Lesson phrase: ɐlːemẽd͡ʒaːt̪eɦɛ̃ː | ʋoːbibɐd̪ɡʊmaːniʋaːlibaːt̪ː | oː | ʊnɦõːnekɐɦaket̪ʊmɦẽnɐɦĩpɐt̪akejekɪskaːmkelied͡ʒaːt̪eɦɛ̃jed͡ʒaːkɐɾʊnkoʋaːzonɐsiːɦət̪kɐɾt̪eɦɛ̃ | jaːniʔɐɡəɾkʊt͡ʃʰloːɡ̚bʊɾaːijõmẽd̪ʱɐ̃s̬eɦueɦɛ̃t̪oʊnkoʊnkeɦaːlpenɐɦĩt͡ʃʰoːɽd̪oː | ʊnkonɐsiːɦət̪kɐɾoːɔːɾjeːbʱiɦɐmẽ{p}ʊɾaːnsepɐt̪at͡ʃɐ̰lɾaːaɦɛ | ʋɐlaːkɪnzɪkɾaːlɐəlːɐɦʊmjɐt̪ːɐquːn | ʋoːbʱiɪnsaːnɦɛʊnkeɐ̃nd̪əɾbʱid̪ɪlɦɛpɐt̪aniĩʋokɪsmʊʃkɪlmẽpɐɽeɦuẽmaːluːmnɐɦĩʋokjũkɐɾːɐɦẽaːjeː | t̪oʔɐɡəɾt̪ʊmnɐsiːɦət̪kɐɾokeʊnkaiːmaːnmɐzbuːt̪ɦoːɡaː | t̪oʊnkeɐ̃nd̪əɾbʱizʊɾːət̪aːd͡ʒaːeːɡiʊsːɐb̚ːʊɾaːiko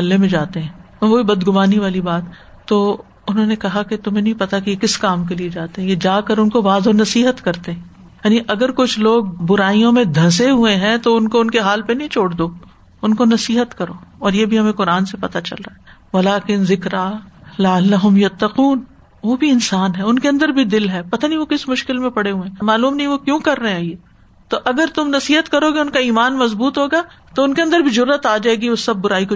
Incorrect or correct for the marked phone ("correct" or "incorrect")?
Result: incorrect